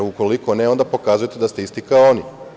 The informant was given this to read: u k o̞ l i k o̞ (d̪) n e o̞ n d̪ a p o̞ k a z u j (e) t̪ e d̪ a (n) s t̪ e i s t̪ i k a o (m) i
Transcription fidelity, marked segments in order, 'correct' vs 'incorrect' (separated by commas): incorrect, correct, incorrect, incorrect